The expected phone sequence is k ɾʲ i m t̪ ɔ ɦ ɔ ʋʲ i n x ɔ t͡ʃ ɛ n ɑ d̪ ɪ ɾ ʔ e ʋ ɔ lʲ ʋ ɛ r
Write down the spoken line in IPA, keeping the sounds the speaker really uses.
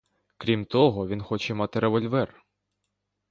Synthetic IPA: k ɾʲ i m t̪ ɔ ɦ ɔ ʋʲ i n x ɔ t͡ʃ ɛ m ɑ t̪ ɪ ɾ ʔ e ʋ ɔ lʲ ʋ ɛ r